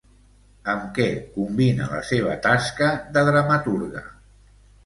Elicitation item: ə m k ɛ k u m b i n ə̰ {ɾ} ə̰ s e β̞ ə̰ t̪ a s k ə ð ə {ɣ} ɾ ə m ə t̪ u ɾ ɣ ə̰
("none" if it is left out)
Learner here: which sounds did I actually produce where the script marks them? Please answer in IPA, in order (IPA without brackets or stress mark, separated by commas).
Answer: l, ð